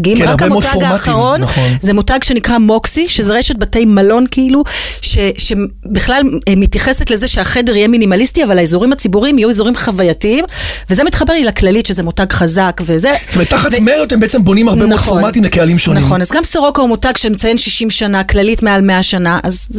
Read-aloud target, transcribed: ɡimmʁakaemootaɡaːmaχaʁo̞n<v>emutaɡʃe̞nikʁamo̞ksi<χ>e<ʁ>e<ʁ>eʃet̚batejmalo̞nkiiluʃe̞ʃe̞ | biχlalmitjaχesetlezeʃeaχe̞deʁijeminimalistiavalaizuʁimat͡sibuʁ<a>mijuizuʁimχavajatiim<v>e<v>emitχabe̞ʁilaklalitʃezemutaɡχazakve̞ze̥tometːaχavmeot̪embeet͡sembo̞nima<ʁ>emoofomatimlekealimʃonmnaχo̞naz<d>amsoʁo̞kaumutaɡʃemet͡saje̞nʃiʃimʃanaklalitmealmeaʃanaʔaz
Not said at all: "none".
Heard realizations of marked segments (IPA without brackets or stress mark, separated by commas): z, ʃ, z, ʁ, i, v, z, ʁ, ɡ